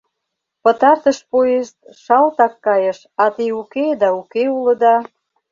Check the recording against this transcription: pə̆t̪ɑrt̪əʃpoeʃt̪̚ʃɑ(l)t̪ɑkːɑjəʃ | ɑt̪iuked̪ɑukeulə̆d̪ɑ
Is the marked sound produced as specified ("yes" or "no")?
yes